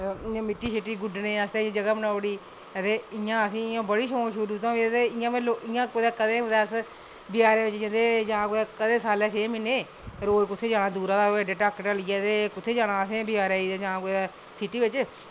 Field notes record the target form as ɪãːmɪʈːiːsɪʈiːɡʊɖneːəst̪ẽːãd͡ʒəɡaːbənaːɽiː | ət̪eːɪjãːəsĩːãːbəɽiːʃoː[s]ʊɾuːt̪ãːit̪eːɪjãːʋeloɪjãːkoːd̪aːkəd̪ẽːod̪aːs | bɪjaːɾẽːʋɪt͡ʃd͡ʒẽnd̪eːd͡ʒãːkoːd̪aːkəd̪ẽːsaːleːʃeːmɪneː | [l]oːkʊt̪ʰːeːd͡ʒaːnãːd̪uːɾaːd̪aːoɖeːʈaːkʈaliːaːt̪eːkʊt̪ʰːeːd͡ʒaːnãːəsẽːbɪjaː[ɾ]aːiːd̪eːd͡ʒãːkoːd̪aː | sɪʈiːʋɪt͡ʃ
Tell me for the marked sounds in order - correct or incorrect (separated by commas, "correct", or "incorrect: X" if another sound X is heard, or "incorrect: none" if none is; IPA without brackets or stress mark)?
incorrect: ʃ, incorrect: ɾ, correct